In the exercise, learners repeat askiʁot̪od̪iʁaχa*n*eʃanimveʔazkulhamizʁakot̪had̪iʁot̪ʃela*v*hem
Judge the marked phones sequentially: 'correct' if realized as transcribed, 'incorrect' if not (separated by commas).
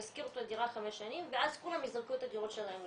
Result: incorrect, incorrect